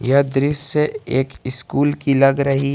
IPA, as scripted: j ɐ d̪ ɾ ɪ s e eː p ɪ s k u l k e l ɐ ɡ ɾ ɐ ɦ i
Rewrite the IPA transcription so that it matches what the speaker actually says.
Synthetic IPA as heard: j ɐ d̪ ɾ ɪ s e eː k ɪ s k uː l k i l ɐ ɡ ɾ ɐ ɦ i